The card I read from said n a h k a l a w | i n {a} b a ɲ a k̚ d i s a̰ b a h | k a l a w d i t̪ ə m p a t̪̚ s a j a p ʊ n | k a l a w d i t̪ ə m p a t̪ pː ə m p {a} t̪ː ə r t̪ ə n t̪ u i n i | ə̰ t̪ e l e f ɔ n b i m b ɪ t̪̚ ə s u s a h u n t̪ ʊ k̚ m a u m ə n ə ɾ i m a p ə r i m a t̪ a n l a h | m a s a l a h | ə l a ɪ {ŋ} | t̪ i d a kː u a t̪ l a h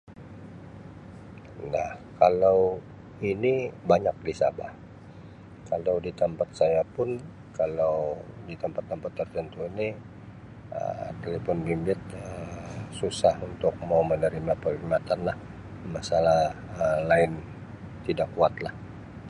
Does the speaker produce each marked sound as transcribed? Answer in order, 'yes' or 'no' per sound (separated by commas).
no, yes, no